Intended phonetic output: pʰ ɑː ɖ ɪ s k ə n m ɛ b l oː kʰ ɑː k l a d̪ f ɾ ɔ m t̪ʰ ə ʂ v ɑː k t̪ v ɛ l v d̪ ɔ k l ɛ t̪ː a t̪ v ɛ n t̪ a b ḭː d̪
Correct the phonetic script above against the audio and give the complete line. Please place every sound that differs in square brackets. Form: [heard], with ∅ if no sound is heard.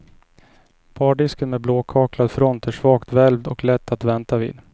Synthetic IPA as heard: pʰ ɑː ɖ ɪ s k ə n m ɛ b l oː kʰ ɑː k l a d̪ f ɾ ɔ [n] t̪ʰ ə ʂ v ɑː k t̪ v ɛ l v d̪ ɔ k l ɛ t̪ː a t̪ v ɛ n t̪ a [v] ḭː d̪